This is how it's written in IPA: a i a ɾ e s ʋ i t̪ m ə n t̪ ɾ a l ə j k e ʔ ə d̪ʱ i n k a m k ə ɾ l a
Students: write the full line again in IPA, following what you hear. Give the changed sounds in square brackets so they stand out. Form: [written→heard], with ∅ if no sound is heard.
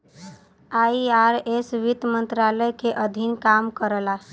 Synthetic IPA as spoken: a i a ɾ e s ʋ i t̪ m ə n t̪ ɾ a l ə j k e ʔ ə d̪ʱ i n k a m k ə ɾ l a